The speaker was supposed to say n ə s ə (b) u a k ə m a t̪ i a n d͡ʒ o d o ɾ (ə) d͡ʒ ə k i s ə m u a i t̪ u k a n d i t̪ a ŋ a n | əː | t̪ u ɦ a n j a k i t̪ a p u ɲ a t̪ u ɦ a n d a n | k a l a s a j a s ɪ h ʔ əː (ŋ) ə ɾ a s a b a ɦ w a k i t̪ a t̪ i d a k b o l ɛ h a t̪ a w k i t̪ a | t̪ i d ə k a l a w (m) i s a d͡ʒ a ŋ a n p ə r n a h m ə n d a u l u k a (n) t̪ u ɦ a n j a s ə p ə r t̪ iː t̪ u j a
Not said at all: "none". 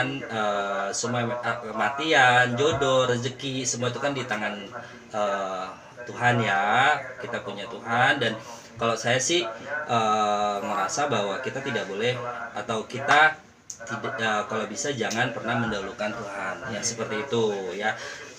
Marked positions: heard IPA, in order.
m, ə, ŋ, b, n

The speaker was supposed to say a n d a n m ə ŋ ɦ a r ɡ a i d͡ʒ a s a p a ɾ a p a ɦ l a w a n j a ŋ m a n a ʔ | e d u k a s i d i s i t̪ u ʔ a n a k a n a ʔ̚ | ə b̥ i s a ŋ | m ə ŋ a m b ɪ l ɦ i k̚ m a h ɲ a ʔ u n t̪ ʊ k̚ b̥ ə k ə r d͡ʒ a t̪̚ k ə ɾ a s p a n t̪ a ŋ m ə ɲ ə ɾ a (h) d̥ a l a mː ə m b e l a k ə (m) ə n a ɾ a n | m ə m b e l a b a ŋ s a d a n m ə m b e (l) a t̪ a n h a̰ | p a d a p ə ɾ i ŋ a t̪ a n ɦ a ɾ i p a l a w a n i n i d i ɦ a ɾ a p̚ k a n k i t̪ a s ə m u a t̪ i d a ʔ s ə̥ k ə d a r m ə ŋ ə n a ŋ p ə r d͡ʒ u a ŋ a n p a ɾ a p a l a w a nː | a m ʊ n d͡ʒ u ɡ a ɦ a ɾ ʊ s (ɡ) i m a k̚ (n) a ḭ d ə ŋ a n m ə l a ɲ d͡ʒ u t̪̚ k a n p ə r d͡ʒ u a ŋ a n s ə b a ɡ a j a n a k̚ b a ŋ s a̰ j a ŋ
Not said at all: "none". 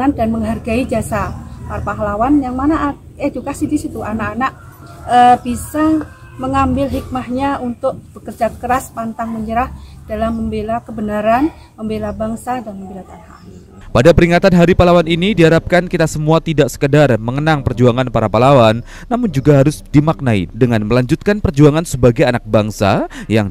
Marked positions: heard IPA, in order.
h, b, l, d, n

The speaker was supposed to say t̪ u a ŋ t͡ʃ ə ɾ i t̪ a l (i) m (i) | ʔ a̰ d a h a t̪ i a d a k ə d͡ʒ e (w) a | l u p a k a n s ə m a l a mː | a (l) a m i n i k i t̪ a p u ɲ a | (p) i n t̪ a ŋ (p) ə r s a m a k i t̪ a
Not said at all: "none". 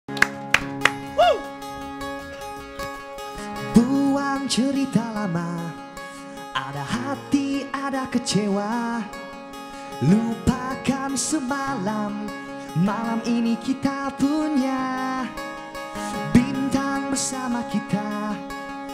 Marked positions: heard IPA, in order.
a, a, w, l, b, b

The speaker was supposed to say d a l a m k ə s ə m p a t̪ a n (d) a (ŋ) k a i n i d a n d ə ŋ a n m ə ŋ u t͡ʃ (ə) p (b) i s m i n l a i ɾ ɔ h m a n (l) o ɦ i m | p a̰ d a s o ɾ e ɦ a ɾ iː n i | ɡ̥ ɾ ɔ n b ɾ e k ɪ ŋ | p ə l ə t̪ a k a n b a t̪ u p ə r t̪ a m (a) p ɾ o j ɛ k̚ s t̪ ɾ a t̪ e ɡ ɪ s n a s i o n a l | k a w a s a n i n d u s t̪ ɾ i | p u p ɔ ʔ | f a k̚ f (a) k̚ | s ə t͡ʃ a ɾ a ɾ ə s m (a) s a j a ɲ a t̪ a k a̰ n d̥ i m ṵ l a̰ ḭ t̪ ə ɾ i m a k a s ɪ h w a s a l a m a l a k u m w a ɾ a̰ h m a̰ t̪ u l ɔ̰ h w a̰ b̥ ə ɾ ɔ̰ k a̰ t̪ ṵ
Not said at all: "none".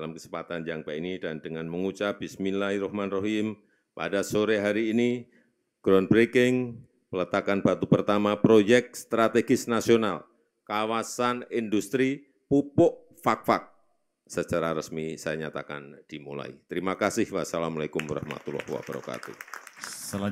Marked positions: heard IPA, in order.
d͡ʒ, ŋ, a, b, r, a, a, i

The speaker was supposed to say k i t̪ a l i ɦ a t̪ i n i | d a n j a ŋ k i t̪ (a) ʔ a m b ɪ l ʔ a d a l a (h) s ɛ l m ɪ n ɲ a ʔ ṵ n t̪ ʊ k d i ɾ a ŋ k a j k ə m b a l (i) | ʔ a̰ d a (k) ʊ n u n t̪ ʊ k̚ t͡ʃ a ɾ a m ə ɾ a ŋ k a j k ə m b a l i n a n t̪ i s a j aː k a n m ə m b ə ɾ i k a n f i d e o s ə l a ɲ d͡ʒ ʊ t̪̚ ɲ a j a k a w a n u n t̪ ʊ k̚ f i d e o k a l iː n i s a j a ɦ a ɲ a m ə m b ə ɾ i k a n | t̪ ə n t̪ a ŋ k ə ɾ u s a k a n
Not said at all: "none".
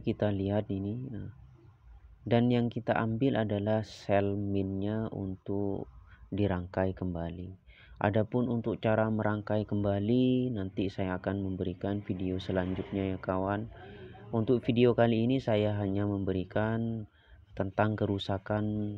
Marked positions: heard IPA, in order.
a, h, i, p

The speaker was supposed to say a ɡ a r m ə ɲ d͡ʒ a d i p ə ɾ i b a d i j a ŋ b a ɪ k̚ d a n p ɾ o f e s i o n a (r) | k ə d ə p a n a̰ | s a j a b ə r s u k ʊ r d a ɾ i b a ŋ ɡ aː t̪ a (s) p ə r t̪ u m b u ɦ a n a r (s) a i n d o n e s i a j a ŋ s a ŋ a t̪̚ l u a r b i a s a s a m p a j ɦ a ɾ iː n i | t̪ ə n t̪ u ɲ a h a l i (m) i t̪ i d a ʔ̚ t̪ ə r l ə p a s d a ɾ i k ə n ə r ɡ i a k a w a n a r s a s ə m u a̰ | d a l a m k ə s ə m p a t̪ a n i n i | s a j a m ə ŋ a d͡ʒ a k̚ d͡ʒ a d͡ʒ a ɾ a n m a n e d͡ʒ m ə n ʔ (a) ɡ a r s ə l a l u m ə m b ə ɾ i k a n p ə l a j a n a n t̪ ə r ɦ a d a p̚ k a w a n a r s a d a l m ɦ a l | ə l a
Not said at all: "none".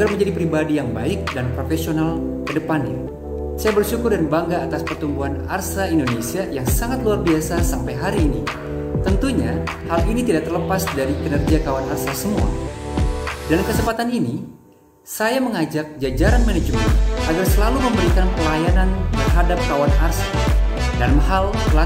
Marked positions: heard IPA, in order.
l, s, s, n, a

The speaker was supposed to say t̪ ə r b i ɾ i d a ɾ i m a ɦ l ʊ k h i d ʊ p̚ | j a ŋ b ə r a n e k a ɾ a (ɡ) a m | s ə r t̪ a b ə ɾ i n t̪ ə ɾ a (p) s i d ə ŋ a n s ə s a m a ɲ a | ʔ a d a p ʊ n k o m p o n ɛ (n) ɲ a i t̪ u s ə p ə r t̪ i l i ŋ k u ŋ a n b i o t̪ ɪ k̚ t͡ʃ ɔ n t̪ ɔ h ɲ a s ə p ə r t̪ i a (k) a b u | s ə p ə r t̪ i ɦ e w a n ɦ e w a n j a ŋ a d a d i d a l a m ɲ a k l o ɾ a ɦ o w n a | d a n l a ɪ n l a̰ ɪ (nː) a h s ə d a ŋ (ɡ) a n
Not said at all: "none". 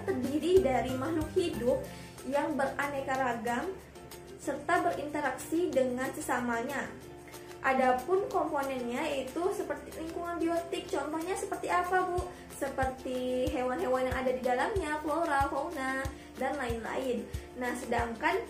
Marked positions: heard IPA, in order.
ɡ, k, n, p, nː, k

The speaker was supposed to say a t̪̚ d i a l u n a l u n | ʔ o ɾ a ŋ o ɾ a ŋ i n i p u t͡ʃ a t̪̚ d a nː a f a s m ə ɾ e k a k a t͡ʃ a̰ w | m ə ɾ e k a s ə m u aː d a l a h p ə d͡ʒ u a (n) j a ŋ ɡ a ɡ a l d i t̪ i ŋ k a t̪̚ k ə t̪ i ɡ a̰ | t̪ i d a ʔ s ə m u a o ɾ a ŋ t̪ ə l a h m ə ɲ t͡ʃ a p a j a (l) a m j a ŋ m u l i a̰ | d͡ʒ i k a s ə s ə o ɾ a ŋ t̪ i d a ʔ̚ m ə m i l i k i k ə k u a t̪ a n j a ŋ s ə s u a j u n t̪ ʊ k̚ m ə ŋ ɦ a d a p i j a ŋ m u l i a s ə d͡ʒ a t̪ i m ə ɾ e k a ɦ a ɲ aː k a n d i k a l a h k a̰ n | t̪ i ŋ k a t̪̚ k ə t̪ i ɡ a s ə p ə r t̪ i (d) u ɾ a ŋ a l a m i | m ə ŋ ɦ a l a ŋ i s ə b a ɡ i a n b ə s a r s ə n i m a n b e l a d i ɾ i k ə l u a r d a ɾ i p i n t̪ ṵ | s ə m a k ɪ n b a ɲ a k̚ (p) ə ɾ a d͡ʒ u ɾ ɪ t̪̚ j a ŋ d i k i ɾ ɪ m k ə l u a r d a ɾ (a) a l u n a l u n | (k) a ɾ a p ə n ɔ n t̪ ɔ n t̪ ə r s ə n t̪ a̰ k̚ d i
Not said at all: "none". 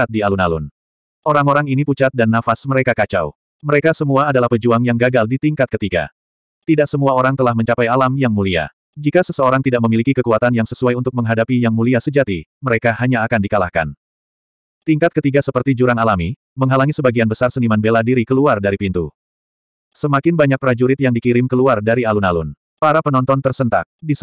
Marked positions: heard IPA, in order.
ŋ, l, d͡ʒ, p, i, p

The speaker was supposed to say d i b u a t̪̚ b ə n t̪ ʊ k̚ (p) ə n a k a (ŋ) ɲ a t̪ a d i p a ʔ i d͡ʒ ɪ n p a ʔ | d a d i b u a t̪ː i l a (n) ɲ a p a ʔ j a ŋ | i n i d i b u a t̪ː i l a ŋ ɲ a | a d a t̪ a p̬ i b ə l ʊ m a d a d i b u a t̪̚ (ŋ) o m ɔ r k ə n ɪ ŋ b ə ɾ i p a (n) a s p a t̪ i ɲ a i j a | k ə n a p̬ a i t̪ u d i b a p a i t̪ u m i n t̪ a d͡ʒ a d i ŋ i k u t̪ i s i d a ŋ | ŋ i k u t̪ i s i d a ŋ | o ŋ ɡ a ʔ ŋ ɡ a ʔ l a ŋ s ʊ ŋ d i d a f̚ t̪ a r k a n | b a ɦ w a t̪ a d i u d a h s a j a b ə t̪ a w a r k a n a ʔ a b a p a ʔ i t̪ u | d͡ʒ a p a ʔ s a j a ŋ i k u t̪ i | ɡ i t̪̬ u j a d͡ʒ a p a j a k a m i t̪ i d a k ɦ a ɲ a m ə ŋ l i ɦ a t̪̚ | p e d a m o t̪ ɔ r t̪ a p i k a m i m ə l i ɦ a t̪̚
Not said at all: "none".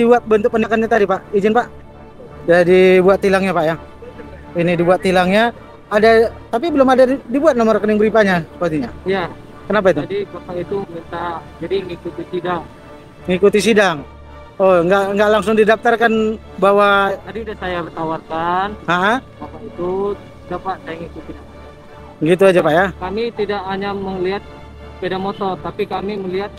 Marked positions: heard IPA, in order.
p, n, ŋ, n, ɲ

